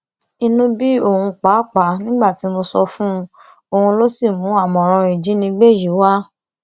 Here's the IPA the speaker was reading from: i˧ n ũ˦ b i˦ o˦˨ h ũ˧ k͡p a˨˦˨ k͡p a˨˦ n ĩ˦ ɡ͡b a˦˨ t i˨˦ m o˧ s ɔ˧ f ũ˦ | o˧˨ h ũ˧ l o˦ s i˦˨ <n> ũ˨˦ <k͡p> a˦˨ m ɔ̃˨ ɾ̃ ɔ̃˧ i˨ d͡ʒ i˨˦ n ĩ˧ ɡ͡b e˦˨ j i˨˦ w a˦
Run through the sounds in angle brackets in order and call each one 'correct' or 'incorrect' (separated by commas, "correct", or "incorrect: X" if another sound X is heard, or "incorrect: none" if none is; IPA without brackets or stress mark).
incorrect: m, incorrect: none